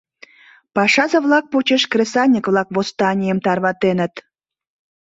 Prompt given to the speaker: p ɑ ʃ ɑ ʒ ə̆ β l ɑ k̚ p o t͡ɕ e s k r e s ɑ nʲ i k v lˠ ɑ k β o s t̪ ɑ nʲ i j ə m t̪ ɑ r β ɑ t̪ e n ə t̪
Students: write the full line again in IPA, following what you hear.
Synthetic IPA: p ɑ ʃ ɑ z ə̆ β l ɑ k̚ p o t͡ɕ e ʃ k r e s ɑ nʲ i k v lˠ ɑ k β o s t̪ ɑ nʲ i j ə m t̪ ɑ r β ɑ t̪ e n ə t̪